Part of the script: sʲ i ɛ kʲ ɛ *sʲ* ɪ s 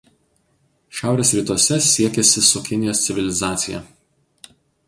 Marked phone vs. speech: correct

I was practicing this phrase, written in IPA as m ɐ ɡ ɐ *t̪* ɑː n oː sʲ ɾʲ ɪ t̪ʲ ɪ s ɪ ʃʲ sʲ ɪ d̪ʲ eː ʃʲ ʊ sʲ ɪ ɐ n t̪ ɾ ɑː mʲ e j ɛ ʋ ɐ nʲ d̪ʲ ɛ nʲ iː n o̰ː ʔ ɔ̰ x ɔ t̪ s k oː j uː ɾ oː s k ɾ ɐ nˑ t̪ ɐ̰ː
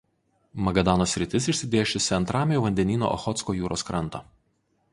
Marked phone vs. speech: incorrect: d̪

